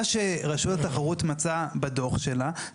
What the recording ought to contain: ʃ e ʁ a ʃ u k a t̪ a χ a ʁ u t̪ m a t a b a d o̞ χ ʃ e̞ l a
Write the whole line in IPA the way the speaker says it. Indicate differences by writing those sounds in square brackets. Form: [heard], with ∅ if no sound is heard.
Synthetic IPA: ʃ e ʁ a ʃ u [t] a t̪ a χ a ʁ u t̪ m a [t͡s] a b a d o̞ χ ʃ e̞ l a